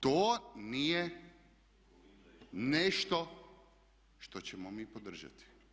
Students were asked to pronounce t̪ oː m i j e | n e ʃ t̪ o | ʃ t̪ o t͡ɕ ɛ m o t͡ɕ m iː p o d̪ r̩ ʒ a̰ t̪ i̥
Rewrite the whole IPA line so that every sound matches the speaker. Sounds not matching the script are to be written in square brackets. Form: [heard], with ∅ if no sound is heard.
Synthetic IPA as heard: t̪ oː [n] i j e | n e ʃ t̪ o | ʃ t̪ o t͡ɕ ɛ m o [∅] m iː p o d̪ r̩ ʒ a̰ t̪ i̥